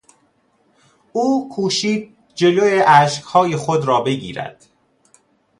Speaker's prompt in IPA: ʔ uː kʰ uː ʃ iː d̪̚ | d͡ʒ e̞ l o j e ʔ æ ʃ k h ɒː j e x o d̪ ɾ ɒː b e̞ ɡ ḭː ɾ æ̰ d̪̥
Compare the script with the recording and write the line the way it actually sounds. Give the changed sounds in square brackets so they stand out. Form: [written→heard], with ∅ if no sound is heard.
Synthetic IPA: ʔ uː kʰ uː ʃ iː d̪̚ | d͡ʒ e̞ l o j e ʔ æ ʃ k h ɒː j e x o d̪ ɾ ɒː b e̞ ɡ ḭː ɾ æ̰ d̪̥